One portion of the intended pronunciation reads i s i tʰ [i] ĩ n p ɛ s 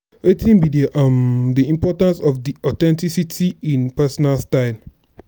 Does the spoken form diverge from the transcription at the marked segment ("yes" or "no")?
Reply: no